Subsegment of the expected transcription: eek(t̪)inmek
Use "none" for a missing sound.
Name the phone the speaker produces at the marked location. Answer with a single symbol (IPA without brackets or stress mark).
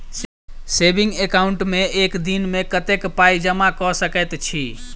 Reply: d̪